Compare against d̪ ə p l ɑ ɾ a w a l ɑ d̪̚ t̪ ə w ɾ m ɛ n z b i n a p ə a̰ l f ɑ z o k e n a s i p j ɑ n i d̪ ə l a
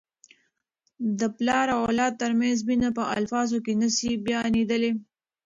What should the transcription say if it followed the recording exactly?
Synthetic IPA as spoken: d̪ ə p l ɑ ɾ a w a l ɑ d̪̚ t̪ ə ɾ m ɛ n z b i n a p ə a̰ l f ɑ z o k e n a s i b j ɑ n i d̪ ə l e